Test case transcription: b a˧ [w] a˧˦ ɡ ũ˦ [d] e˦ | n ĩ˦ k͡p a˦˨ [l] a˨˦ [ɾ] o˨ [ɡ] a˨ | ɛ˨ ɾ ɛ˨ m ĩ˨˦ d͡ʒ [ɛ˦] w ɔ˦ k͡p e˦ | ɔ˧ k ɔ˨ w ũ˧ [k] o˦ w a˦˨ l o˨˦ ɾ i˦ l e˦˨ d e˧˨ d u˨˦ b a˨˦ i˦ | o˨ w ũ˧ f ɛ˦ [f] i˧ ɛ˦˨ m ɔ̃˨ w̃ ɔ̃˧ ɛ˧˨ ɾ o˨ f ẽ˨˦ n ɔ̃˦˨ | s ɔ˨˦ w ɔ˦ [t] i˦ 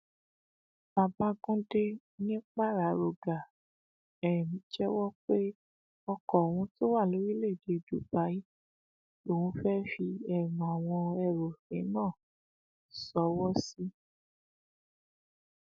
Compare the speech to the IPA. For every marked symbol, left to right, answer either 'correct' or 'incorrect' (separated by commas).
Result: incorrect, correct, incorrect, correct, correct, correct, incorrect, correct, incorrect